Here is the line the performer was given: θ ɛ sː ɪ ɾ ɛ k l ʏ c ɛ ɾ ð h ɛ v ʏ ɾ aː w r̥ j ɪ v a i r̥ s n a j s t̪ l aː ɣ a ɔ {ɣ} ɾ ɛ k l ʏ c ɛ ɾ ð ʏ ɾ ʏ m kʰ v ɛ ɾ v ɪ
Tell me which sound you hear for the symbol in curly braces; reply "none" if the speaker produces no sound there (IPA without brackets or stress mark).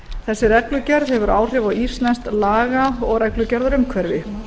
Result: ɣ